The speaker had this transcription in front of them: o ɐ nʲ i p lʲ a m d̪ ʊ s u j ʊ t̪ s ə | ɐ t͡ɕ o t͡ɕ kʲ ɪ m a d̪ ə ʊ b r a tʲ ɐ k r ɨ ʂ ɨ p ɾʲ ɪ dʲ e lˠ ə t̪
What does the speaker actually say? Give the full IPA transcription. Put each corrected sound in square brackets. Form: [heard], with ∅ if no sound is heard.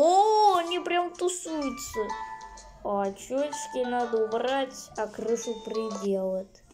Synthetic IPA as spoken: o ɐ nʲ i p [ɾʲ] a m [t̪] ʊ s u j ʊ t̪ s ə | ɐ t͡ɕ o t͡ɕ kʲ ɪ [n] a d̪ ə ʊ b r a tʲ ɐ k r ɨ ʂ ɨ p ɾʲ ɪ dʲ e lˠ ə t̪

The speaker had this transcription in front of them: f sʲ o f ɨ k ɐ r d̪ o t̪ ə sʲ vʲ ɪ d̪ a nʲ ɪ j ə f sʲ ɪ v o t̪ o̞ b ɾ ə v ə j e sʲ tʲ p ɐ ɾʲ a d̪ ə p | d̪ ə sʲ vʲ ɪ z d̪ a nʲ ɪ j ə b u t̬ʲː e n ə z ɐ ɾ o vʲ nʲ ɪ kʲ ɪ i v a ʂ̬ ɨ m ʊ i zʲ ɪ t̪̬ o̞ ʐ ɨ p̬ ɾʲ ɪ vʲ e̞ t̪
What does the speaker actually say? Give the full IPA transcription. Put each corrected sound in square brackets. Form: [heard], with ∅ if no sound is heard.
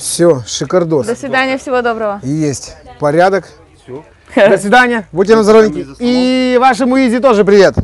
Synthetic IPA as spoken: f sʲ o [ʂ] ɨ k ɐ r d̪ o [d̪] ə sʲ vʲ ɪ d̪ a nʲ ɪ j ə f sʲ ɪ v o [d̪] o̞ b ɾ ə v ə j e sʲ tʲ p ɐ ɾʲ a d̪ ə [k] | d̪ ə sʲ vʲ ɪ [∅] d̪ a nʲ ɪ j ə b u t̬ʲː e n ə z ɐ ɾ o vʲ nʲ ɪ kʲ ɪ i v a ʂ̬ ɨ m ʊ i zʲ ɪ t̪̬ o̞ ʐ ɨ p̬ ɾʲ ɪ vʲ e̞ t̪

